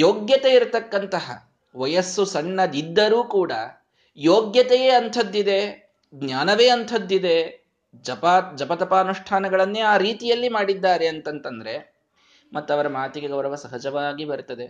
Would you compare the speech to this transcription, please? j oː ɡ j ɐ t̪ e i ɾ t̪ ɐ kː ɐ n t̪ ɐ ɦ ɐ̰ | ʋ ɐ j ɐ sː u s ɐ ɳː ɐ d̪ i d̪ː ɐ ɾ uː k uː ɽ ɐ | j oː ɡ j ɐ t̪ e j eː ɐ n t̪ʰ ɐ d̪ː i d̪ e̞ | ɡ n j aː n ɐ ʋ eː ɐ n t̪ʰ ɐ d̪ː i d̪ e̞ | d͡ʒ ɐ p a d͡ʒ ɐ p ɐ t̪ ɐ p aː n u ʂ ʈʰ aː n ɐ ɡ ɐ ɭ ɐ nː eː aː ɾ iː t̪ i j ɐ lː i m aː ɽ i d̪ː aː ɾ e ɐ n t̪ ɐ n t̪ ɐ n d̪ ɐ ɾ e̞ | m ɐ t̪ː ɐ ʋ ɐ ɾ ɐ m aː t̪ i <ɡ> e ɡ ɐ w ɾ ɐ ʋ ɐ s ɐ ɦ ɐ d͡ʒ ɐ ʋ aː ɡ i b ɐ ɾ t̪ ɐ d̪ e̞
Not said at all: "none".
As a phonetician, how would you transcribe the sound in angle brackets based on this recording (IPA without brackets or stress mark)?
ɡ